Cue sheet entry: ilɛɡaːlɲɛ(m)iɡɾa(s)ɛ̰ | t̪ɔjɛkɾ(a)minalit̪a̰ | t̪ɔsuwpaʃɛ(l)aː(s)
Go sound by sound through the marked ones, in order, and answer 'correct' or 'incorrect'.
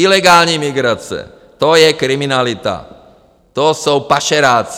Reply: correct, incorrect: t͡s, incorrect: i, incorrect: ɾ, incorrect: t͡s

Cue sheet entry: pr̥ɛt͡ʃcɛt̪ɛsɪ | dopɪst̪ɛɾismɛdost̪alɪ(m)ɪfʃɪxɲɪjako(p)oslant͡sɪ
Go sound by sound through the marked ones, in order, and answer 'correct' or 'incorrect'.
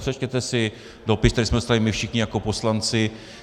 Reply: correct, correct

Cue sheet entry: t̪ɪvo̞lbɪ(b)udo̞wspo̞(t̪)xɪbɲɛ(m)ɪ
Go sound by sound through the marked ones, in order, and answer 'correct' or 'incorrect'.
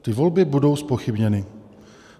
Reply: correct, incorrect: none, incorrect: n

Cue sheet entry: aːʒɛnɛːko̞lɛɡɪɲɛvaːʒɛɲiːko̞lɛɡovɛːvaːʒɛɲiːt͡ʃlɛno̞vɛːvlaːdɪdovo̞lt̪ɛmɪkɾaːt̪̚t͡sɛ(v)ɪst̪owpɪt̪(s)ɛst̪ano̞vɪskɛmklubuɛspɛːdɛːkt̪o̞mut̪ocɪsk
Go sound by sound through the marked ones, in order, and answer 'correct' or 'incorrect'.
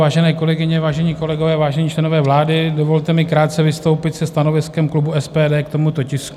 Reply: correct, correct

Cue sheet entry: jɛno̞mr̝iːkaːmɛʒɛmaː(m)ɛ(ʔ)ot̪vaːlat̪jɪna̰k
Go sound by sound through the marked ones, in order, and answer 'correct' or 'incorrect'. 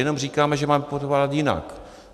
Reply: correct, incorrect: p

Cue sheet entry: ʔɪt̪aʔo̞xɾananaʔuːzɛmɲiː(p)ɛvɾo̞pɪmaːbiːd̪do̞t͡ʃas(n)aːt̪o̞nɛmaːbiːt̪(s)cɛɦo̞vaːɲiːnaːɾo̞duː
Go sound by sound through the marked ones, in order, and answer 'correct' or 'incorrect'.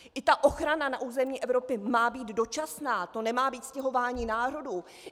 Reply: incorrect: ʔ, correct, correct

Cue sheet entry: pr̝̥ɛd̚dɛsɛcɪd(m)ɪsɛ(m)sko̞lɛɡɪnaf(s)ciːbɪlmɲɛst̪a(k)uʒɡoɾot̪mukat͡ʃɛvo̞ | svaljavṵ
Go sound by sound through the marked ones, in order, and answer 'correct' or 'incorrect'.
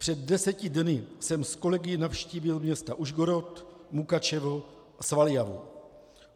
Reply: incorrect: n, correct, incorrect: ʃ, incorrect: ʔ

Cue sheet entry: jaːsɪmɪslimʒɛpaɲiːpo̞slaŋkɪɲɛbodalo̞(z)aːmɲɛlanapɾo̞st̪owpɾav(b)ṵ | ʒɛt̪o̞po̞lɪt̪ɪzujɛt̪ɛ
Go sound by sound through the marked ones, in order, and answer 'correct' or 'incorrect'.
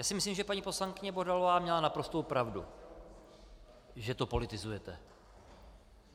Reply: incorrect: v, incorrect: d

